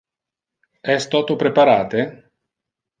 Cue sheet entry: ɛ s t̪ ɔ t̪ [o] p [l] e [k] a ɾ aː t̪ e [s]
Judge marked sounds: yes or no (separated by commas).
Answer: yes, no, no, no